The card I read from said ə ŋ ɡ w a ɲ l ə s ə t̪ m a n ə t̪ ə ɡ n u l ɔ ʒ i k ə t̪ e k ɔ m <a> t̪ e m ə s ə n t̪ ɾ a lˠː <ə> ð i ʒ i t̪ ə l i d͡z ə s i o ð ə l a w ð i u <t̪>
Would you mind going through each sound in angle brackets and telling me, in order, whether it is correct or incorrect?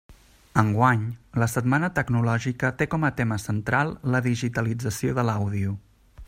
incorrect: ə, correct, incorrect: none

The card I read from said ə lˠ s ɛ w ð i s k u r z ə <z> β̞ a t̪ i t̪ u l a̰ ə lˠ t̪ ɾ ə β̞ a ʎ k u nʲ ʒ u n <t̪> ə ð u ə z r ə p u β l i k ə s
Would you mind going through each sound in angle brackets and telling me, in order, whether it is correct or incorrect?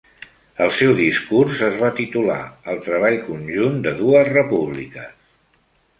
correct, incorrect: d̪

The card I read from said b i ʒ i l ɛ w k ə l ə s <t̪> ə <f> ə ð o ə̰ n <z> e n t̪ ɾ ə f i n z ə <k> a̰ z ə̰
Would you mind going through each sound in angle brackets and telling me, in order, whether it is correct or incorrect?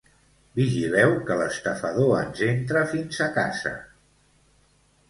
correct, correct, correct, correct

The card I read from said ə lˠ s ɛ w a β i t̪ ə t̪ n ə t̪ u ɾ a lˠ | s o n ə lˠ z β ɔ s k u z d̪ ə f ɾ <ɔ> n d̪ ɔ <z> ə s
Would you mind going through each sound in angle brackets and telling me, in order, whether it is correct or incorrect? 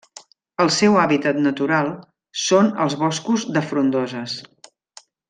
incorrect: u, correct

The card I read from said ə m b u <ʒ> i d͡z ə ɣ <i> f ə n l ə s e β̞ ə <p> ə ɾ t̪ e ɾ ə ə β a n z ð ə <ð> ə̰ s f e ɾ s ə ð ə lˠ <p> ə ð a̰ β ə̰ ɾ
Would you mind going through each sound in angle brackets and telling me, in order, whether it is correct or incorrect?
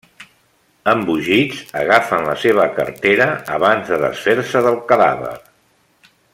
correct, incorrect: a, incorrect: k, correct, incorrect: k

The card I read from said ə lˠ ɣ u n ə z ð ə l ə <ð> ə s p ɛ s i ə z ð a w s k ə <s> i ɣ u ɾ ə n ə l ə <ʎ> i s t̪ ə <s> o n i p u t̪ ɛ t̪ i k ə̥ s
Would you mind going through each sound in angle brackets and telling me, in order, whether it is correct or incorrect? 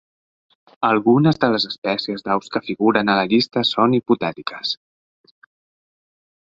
incorrect: z, incorrect: f, correct, correct

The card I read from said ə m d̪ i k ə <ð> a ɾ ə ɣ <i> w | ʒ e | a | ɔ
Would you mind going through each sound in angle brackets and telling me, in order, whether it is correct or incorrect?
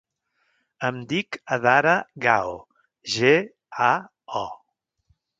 correct, incorrect: a

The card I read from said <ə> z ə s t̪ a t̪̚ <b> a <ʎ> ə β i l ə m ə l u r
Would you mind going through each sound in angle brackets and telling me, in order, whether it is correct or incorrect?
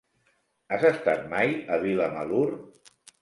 incorrect: a, incorrect: m, incorrect: j

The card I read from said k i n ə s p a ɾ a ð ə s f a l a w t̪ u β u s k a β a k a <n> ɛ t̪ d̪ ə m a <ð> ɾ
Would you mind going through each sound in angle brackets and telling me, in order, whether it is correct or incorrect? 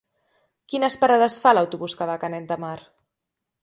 correct, incorrect: none

